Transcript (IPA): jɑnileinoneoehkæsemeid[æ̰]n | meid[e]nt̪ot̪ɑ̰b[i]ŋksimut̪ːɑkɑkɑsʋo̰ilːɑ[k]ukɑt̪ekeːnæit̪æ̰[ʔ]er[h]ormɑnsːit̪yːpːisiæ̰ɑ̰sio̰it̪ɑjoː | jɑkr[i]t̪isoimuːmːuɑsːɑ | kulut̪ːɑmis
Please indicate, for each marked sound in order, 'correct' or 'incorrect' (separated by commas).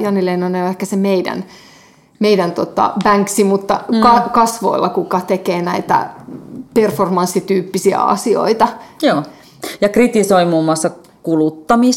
correct, incorrect, incorrect, correct, incorrect, incorrect, correct